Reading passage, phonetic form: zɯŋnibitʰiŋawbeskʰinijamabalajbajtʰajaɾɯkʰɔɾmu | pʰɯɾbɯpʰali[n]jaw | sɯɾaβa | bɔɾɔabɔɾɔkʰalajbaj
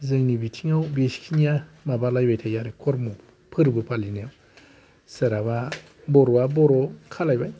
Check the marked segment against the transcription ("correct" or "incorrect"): correct